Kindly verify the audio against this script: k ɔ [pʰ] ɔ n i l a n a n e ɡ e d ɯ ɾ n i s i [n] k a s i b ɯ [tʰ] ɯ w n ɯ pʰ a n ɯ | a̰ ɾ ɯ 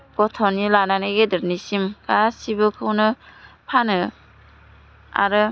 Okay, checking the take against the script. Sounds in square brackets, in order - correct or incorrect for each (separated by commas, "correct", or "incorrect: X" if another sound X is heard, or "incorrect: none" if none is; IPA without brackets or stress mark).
incorrect: tʰ, incorrect: m, incorrect: kʰ